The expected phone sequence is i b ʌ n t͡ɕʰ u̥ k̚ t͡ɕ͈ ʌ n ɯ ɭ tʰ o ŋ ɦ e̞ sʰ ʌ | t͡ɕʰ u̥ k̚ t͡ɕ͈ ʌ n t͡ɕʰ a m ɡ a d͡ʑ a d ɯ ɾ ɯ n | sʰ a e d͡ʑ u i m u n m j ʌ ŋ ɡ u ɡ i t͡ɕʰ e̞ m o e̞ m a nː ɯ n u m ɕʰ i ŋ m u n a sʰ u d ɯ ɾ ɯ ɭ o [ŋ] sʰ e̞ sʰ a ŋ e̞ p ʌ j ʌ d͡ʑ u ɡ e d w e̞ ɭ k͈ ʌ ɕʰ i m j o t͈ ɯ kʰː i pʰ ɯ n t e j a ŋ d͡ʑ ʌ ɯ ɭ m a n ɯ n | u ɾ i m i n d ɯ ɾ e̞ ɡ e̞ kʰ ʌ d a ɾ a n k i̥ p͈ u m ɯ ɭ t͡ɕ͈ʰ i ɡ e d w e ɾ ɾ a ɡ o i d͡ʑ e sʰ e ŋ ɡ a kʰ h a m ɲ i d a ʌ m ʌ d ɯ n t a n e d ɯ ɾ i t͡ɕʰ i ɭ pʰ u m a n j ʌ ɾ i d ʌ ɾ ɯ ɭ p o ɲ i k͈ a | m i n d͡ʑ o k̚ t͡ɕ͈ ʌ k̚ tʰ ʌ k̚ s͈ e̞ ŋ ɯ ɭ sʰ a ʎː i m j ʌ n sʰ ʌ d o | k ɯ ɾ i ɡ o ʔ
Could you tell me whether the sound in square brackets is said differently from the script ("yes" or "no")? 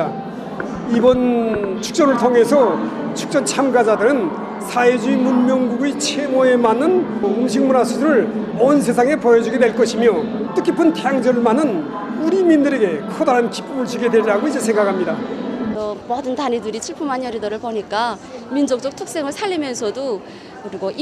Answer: yes